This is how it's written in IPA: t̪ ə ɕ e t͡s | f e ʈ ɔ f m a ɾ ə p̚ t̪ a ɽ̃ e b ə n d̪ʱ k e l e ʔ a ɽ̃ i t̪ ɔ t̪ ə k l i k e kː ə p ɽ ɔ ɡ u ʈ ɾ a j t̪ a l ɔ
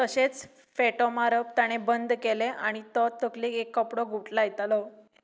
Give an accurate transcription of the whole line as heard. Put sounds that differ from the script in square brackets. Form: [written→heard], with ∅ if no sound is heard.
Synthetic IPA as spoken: t̪ ə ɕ e t͡s | f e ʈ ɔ [f→∅] m a ɾ ə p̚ t̪ a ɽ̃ e b ə n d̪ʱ k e l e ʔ a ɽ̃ i t̪ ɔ t̪ ə k l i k e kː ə p ɽ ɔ ɡ u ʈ [ɾ→l] a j t̪ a l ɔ